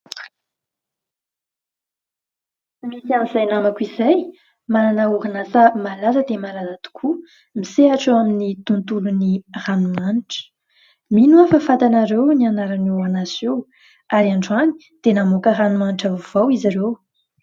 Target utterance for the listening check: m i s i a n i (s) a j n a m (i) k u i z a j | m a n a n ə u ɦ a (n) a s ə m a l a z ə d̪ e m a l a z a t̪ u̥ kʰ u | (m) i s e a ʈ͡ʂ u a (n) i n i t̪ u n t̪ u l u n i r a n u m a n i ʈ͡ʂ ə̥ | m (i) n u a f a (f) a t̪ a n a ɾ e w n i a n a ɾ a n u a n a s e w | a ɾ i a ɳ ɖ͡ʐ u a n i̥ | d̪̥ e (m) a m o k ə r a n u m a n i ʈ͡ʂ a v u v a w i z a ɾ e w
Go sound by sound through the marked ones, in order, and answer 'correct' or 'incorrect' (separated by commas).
incorrect, incorrect, correct, correct, incorrect, correct, correct, incorrect